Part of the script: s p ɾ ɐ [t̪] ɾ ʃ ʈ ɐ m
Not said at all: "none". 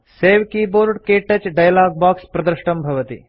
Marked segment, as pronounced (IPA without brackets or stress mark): d̪